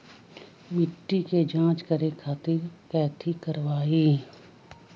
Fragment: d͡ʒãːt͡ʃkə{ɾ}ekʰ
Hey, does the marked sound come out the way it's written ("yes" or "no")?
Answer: yes